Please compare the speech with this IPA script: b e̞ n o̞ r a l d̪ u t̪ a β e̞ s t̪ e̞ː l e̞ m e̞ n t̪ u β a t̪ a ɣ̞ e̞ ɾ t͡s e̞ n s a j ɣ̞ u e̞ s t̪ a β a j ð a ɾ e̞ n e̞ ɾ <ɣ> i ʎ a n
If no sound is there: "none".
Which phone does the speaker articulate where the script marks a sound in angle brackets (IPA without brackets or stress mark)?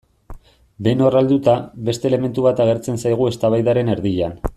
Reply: ð